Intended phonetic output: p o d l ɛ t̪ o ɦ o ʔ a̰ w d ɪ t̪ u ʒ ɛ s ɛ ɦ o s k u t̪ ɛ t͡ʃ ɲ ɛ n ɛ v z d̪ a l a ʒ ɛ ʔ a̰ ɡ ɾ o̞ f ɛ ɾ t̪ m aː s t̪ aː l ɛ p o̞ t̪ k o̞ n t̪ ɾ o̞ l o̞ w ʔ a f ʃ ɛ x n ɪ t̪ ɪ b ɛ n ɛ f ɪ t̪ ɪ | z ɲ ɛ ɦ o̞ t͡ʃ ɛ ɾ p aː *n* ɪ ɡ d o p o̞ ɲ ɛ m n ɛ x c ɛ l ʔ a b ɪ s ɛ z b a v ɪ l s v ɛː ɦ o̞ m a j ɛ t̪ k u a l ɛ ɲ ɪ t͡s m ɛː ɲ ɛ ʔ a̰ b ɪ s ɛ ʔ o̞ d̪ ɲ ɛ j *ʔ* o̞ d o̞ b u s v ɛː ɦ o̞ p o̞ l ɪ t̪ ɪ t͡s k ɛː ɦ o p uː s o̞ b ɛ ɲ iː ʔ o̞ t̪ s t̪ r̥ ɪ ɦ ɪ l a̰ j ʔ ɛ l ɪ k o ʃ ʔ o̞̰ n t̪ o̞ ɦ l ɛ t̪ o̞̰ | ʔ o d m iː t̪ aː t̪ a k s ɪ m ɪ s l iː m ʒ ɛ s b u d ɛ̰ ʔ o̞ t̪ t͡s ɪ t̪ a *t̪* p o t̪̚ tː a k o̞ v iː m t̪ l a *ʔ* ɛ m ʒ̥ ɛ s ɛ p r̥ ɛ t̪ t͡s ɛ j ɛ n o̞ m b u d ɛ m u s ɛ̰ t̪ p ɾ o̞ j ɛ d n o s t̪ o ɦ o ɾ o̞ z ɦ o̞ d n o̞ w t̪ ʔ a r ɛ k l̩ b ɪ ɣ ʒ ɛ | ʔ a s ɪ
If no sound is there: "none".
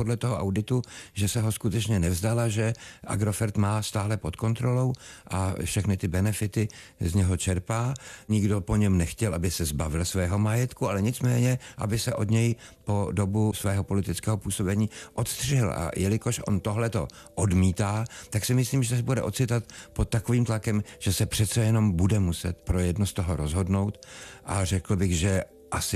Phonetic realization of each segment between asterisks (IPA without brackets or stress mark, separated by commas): ɲ, p, t̪, k